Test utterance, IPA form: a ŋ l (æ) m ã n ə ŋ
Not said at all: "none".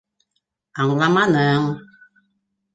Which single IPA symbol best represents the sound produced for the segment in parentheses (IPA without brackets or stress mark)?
a